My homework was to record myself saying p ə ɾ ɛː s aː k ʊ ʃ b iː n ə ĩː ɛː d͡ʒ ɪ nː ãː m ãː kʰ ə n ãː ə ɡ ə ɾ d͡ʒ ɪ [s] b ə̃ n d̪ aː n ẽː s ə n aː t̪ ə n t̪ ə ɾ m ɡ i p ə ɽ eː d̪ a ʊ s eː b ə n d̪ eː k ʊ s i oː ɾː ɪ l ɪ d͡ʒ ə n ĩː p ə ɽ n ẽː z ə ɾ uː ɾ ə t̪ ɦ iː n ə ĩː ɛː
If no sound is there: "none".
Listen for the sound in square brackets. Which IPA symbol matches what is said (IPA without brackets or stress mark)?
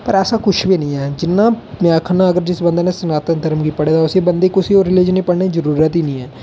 s